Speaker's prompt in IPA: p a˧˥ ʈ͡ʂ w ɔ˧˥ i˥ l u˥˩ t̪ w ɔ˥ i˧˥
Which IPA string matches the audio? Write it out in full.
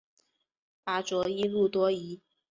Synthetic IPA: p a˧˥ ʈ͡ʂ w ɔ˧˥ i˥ l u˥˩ t̪ w ɔ˥ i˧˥